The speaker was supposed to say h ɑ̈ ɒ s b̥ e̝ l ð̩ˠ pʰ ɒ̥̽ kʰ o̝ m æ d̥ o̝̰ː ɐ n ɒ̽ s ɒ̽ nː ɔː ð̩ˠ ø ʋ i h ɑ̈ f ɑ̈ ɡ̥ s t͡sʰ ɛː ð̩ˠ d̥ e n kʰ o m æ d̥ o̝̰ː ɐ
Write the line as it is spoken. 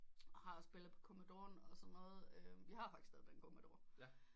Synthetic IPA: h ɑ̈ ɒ s b̥ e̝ l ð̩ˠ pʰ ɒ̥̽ kʰ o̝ m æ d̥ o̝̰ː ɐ n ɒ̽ s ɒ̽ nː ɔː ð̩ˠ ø ʋ i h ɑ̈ f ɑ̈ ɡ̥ s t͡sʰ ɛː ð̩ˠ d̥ e n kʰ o m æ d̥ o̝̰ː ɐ